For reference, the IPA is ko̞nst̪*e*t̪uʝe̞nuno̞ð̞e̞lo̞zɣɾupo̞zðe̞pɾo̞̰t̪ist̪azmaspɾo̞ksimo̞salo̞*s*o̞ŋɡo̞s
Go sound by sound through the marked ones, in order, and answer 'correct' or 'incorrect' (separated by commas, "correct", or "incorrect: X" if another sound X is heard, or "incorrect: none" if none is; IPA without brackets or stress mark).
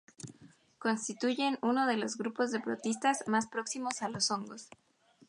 incorrect: i, correct